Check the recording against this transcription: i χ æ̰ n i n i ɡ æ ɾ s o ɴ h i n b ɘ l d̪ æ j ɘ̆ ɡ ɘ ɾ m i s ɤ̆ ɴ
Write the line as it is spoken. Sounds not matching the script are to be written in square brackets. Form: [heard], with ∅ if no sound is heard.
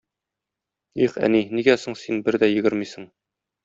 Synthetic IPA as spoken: i χ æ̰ n i n i ɡ æ [∅] s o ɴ [s] i n b ɘ [ɾ] d̪ æ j ɘ̆ ɡ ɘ ɾ m i s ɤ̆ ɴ

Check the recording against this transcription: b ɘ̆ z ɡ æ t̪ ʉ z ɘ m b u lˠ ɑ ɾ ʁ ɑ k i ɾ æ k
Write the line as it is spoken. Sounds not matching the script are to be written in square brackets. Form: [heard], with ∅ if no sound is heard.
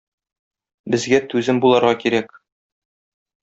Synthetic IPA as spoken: b ɘ̆ z ɡ æ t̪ ʉ z ɘ m b u lˠ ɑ ɾ ʁ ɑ k i ɾ æ k

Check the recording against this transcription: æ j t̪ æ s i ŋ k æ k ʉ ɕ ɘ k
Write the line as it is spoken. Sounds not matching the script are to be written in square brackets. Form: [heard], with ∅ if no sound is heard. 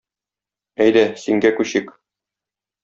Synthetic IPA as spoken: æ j [d̪] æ s i ŋ [ɡ] æ k ʉ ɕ ɘ k

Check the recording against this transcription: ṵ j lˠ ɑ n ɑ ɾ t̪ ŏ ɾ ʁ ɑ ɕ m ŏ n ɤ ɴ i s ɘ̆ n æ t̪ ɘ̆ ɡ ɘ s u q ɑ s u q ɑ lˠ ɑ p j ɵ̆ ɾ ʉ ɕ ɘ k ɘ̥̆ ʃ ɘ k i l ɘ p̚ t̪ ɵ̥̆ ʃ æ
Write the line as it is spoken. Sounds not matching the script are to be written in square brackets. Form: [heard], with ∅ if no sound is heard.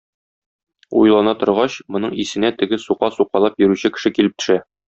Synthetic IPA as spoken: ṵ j lˠ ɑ n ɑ [∅] t̪ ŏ ɾ ʁ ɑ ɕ m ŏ n ɤ ɴ i s ɘ̆ n æ t̪ ɘ̆ ɡ ɘ s u q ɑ s u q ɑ lˠ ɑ p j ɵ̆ ɾ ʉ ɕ ɘ k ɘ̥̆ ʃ ɘ k i l ɘ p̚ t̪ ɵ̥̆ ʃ æ

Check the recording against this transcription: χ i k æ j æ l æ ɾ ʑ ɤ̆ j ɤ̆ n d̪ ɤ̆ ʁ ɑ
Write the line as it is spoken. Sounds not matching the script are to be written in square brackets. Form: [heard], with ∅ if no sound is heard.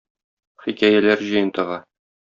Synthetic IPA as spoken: χ i k æ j æ l æ ɾ ʑ ɤ̆ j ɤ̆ n [t̪] ɤ̆ ʁ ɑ

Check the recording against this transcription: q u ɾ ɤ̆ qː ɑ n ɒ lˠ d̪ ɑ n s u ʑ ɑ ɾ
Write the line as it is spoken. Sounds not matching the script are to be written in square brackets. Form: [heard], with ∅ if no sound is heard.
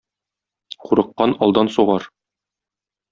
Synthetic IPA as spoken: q u ɾ ɤ̆ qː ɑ n ɒ lˠ d̪ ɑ n s u [ʁ] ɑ ɾ

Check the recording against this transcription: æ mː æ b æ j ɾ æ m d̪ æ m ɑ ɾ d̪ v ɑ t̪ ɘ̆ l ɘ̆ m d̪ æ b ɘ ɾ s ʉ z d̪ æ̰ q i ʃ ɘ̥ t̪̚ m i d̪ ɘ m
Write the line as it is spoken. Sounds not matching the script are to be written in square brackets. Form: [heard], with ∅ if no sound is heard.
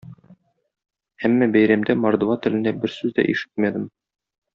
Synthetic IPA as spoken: æ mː æ b æ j ɾ æ m d̪ æ m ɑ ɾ d̪ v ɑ t̪ ɘ̆ l ɘ̆ [n] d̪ æ b ɘ ɾ s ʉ z d̪ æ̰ [ʔ] i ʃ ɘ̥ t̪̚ m [æ] d̪ ɘ m

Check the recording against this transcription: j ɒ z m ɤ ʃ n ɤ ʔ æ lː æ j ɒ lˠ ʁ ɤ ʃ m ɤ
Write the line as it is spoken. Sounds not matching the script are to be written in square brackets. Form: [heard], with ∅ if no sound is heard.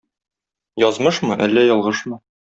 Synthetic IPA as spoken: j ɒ z m ɤ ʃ [m] ɤ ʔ æ lː æ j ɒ lˠ ʁ ɤ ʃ m ɤ

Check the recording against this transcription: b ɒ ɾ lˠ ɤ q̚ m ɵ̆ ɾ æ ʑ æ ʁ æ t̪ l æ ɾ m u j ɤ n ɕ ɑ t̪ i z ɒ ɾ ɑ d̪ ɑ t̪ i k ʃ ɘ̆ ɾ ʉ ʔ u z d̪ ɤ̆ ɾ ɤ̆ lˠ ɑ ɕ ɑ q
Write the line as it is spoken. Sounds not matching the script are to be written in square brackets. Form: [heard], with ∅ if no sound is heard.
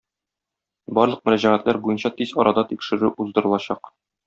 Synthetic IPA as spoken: b ɒ ɾ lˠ ɤ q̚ m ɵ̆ ɾ æ ʑ æ ʁ æ t̪ l æ ɾ [b] u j ɤ n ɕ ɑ t̪ i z ɒ ɾ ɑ d̪ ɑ t̪ i k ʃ ɘ̆ ɾ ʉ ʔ u z d̪ ɤ̆ ɾ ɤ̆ lˠ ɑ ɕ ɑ q

